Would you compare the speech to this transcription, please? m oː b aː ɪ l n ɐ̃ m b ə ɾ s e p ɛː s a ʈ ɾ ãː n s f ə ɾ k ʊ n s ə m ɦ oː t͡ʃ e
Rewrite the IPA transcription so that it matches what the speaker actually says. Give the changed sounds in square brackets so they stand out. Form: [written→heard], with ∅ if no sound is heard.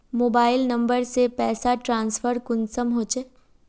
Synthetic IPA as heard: m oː b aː ɪ l n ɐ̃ m b ə ɾ s e p ɛː s a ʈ ɾ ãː n s f ə ɾ k ʊ n s ə m ɦ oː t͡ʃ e